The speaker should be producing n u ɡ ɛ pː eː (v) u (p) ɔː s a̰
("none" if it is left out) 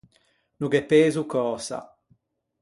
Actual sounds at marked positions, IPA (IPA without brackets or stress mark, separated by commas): z, k